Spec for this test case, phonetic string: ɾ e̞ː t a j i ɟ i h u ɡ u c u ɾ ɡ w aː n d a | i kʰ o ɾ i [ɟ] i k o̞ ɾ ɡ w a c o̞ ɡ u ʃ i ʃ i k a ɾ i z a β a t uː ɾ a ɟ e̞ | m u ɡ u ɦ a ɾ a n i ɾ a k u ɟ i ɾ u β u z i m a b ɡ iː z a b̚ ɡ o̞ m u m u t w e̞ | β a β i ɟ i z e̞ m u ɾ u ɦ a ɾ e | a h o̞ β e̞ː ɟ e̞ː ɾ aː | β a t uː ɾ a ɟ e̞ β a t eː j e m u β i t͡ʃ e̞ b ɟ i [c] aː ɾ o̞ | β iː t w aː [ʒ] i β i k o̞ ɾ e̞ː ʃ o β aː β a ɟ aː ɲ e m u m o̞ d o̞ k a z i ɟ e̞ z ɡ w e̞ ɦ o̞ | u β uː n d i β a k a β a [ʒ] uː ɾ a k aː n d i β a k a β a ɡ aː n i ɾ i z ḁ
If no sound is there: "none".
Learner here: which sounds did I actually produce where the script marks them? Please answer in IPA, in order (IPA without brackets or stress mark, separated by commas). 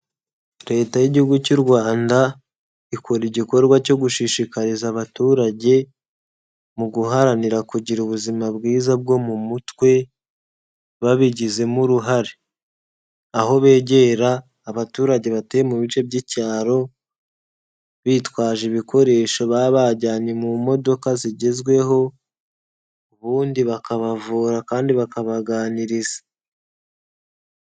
ɟ, c, ʒ, v